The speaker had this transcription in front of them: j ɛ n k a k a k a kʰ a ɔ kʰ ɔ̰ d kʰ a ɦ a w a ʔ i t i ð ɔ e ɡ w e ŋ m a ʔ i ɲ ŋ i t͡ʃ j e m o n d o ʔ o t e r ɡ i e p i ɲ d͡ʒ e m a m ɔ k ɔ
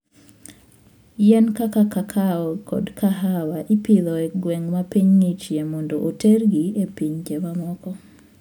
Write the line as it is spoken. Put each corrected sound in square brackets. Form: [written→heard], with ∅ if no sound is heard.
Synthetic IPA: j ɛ n k a k a k a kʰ a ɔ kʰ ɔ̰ d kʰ a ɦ a w a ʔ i [t→p] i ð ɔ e ɡ w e ŋ m a [ʔ→p] i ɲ ŋ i t͡ʃ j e m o n d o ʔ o t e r ɡ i e p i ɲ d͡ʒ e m a m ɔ k ɔ